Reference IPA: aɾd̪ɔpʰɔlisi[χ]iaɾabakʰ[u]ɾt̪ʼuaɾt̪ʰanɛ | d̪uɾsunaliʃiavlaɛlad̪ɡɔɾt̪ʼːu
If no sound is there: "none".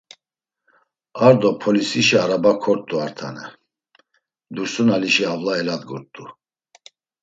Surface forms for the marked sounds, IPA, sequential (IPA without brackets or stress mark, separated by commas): ʃ, ɔ